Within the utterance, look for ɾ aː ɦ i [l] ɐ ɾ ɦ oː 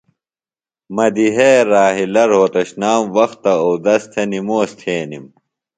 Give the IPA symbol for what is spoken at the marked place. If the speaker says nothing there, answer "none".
l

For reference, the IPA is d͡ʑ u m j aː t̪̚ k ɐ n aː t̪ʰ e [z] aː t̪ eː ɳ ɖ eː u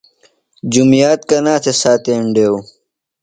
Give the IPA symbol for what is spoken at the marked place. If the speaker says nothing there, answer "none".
s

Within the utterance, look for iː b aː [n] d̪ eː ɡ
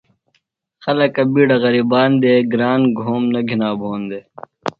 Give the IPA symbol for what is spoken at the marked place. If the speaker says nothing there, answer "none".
n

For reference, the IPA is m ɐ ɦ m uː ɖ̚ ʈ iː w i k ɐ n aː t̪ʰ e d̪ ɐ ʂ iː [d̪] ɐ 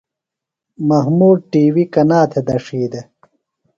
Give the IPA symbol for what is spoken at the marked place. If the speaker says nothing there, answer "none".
d̪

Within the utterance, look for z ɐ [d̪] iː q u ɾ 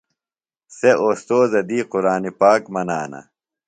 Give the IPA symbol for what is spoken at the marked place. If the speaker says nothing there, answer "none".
d̪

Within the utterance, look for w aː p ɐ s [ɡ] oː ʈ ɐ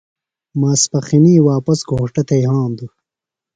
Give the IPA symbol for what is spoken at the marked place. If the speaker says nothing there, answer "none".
ɡ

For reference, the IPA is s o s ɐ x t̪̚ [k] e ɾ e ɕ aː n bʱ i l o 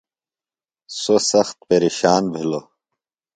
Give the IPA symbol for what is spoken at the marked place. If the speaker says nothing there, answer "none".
p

